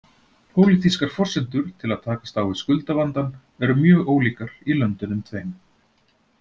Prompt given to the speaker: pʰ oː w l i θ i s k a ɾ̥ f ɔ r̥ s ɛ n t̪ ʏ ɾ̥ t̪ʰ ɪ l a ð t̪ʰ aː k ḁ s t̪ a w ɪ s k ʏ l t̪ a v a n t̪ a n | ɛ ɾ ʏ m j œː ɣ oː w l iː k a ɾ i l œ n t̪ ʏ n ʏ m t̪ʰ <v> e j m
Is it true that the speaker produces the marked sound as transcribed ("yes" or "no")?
yes